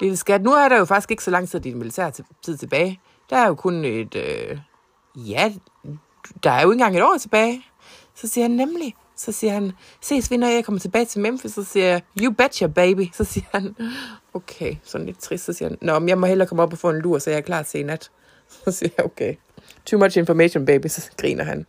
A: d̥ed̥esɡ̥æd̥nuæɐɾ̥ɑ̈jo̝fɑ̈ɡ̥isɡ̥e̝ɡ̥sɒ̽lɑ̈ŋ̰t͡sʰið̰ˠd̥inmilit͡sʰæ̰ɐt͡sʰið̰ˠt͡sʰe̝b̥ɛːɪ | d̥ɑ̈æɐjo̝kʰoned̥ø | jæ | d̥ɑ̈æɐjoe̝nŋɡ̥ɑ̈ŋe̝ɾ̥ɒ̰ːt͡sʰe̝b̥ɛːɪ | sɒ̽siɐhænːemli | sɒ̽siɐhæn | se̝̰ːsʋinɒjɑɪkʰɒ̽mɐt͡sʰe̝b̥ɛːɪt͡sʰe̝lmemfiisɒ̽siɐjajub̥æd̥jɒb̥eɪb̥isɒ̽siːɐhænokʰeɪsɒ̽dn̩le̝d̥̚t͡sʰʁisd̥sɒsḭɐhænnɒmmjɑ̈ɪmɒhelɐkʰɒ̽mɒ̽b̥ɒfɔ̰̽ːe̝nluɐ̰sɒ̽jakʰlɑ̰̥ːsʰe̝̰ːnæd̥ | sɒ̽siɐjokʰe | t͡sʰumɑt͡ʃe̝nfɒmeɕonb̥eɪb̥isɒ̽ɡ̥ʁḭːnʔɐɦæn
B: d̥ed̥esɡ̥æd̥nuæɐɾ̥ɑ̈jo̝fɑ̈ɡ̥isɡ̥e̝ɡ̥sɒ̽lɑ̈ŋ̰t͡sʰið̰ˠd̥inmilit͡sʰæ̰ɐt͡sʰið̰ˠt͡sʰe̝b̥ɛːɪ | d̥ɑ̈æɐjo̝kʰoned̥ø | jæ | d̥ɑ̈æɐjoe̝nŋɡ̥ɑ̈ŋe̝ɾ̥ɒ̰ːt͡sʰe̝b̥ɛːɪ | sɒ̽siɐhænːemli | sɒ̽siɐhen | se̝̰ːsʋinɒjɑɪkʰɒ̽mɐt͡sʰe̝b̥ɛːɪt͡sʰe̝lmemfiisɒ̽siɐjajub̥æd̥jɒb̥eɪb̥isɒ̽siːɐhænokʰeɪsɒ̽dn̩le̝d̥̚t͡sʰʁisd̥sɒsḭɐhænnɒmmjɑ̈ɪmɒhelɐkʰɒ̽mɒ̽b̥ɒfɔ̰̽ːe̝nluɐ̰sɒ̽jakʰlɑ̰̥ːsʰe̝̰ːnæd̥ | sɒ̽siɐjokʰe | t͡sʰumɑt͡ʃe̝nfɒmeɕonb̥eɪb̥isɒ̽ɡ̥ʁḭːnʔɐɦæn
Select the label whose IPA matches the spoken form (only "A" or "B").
A